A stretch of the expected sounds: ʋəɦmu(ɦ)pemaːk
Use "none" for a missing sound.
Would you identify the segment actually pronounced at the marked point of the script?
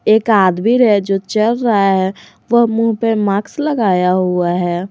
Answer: ɦ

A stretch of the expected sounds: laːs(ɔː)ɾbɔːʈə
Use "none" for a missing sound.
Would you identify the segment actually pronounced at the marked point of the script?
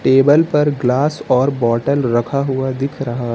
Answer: ɔː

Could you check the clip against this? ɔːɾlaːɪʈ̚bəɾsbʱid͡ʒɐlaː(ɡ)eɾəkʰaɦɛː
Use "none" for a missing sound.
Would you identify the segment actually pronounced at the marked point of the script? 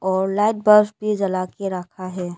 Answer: k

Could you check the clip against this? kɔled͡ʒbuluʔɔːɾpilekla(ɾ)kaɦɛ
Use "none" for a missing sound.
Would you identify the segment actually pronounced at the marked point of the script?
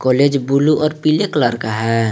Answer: ɾ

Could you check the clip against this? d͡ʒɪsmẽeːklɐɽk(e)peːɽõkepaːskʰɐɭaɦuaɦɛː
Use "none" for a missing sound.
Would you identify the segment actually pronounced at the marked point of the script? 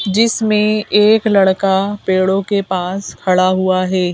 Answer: a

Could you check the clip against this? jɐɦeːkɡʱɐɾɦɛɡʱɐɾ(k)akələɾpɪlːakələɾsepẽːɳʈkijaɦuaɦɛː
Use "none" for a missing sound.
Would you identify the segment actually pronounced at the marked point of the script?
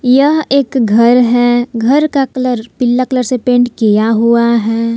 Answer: k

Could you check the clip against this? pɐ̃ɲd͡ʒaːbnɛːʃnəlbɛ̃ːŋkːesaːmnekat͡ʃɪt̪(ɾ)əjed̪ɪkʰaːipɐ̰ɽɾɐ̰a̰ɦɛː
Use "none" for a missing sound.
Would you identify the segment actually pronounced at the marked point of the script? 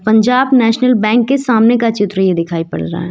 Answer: ɾ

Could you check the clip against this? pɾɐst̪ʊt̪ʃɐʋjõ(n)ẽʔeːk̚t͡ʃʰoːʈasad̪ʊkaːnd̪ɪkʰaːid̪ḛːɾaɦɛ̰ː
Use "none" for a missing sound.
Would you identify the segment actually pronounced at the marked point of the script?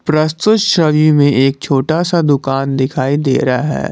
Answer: m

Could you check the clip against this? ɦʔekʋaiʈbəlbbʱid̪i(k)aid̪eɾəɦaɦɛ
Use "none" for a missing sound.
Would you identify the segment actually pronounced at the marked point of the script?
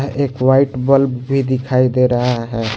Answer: kʰ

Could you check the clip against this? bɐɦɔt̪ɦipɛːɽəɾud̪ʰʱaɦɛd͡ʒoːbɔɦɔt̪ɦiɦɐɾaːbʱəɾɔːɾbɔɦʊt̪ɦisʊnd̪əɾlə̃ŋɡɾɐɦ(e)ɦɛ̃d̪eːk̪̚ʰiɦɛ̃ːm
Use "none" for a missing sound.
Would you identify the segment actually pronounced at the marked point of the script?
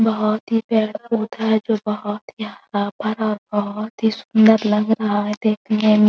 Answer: a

